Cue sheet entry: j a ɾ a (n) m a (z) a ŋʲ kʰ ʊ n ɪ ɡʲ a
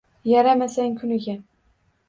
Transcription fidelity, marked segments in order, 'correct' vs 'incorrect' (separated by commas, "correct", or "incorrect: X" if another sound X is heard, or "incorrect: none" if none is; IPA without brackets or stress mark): incorrect: none, incorrect: s